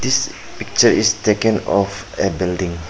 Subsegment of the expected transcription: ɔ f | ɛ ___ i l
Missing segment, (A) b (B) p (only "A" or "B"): A